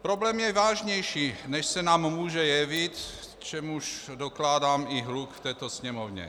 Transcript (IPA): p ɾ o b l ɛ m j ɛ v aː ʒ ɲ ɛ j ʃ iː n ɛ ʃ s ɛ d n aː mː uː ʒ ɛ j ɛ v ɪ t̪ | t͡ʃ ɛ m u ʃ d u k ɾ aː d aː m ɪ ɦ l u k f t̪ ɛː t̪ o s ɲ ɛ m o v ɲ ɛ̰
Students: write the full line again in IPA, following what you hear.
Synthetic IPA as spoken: p ɾ o b l ɛ m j ɛ v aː ʒ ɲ ɛ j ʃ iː n ɛ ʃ s ɛ n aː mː uː ʒ ɛ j ɛ v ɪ t̪ | t͡ʃ ɛ m u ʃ d o k l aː d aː m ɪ ɦ l u k f t̪ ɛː t̪ o s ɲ ɛ m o v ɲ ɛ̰